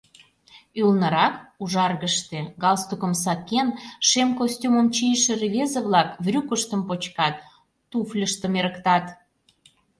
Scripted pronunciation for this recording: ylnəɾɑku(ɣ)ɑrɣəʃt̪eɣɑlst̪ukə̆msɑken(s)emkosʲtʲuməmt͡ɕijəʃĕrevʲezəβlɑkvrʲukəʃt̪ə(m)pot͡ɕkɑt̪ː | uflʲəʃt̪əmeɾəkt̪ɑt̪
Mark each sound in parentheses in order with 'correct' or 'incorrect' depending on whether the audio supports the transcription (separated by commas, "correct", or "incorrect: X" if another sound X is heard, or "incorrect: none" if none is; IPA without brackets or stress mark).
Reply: incorrect: ʒ, incorrect: ʃ, correct